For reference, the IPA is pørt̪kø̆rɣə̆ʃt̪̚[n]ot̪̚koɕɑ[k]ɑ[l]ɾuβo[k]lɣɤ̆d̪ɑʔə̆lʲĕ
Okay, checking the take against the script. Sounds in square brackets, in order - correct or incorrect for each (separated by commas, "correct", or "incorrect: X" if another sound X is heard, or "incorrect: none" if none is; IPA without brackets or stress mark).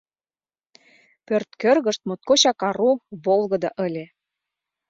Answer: incorrect: m, correct, incorrect: none, incorrect: none